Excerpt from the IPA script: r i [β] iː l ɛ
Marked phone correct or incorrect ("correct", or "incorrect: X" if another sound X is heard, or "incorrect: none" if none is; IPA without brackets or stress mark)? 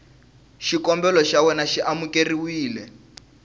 incorrect: w